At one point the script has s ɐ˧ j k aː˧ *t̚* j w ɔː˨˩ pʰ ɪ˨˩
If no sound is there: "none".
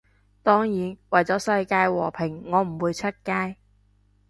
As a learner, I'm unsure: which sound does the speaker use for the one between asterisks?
none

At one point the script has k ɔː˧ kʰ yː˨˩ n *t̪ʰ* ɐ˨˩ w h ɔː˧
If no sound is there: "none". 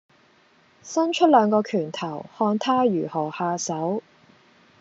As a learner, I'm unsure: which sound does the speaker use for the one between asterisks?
t̪ʰ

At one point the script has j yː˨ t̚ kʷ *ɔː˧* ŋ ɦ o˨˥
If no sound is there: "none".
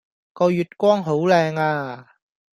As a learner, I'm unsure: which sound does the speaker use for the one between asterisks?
ɔː˥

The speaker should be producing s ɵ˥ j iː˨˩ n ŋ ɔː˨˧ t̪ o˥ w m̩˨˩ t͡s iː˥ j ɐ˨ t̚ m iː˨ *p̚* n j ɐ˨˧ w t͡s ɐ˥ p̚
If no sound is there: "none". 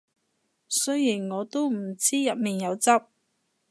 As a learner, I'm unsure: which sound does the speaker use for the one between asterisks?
none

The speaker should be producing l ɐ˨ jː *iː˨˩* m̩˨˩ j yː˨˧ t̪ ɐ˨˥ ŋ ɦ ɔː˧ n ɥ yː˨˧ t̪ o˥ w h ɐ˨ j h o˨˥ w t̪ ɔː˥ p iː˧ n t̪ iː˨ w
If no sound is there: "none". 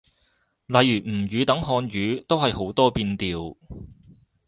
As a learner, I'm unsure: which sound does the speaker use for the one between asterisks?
yː˨˩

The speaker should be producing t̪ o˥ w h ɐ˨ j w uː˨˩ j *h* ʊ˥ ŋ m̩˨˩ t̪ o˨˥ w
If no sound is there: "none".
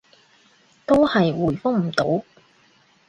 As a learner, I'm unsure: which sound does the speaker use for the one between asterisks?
f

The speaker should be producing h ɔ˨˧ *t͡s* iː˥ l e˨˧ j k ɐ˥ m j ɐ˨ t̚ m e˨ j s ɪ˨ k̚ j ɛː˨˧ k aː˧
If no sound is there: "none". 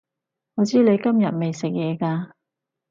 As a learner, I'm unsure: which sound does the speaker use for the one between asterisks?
t͡s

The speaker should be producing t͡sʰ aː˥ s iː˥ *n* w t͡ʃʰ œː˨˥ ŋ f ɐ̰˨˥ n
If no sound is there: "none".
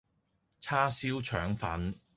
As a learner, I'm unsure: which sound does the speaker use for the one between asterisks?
none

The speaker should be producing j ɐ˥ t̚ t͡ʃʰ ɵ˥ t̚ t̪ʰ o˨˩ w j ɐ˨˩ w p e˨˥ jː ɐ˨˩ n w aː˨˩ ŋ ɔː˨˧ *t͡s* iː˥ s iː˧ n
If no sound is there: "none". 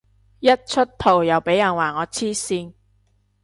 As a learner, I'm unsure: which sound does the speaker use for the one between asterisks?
t͡sʰ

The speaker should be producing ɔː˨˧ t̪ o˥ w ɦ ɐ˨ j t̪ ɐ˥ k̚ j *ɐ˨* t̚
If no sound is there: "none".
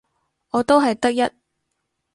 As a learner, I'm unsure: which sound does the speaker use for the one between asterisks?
ɐ˥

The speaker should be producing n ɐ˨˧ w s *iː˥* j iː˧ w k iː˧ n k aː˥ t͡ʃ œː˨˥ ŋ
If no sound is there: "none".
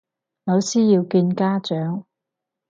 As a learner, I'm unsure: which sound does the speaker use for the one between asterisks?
iː˥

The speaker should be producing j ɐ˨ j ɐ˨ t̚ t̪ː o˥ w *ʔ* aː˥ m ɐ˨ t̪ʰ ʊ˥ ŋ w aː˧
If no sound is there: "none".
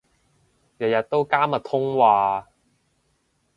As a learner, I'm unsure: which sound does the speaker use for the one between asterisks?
k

